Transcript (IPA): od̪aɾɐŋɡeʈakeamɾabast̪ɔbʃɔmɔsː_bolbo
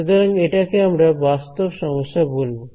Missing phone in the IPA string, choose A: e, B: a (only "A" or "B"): B